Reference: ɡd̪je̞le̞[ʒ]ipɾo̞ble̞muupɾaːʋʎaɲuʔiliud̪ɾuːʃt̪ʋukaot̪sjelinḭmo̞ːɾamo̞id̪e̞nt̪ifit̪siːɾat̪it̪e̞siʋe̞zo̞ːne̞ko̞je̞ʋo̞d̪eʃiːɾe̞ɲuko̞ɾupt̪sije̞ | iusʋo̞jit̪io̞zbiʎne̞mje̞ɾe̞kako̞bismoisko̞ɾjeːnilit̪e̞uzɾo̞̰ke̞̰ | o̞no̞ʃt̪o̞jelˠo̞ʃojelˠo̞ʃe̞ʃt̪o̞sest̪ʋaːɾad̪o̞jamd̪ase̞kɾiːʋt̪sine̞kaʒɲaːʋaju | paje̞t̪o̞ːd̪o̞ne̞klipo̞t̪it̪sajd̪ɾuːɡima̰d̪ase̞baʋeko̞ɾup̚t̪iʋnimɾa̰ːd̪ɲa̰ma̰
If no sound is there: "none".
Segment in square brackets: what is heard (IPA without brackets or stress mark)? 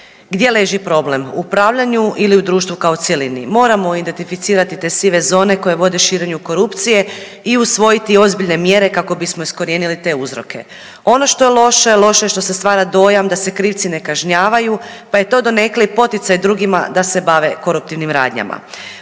ʒ